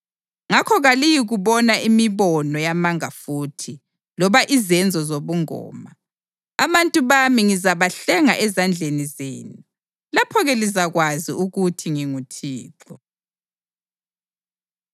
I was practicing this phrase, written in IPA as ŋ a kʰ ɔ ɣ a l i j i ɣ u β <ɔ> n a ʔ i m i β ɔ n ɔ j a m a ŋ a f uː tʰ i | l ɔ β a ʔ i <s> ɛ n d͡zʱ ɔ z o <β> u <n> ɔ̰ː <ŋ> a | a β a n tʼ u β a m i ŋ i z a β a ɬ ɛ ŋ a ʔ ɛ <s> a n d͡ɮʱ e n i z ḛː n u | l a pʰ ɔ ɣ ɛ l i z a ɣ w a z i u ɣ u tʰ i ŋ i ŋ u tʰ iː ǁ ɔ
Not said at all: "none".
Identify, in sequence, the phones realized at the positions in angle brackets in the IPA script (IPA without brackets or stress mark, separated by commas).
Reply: ɔ, z, β, ŋ, m, z